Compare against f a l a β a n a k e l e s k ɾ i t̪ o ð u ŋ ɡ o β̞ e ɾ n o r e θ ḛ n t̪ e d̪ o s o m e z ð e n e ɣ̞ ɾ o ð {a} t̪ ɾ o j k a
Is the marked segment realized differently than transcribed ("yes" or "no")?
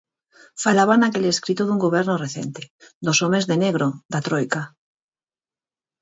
no